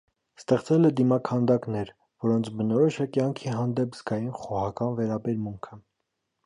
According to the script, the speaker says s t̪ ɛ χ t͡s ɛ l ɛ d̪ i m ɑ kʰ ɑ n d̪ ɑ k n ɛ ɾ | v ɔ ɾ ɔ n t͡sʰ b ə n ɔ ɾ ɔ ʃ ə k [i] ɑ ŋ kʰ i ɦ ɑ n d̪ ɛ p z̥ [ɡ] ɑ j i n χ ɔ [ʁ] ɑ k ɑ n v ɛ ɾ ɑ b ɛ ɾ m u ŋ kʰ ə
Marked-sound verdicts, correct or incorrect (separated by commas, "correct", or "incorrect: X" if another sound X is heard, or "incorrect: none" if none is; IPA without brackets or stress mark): incorrect: j, correct, correct